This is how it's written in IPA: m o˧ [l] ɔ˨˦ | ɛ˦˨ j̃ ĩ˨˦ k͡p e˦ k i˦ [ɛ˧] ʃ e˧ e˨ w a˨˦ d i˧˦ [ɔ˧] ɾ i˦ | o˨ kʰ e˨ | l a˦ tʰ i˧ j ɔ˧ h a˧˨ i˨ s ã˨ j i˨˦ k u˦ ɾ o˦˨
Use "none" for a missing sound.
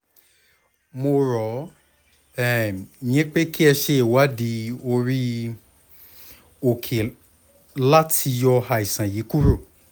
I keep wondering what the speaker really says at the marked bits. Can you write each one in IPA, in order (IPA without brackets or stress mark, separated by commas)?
ɾ, ɛ˧, o˧